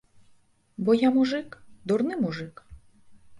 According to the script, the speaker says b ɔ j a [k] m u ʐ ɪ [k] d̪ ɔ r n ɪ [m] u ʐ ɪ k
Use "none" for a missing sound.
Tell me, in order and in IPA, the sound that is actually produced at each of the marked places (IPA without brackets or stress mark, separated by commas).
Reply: none, k, m